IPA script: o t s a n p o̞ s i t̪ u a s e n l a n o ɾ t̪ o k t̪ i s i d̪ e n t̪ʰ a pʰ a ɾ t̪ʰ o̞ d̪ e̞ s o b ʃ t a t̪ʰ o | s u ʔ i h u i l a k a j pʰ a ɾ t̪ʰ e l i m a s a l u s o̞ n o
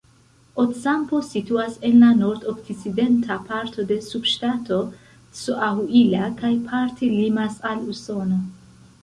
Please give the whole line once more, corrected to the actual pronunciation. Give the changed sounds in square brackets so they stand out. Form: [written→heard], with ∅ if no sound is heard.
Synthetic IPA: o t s a [n→m] p o̞ s i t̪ u a s e n l a n o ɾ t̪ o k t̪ i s i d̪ e n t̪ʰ a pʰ a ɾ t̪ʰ o̞ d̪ e̞ s [o→u] b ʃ t a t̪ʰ o | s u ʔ [i→a] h u i l a k a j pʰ a ɾ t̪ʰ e l i m a s a l u s o̞ n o